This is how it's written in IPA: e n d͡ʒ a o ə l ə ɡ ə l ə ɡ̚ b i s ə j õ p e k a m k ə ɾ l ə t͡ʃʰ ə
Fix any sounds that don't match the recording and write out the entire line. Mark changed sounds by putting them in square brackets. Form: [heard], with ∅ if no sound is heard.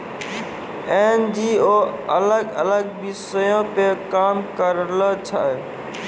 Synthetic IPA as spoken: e n d͡ʒ [i] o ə l ə ɡ ə l ə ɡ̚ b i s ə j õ p e k a m k ə ɾ l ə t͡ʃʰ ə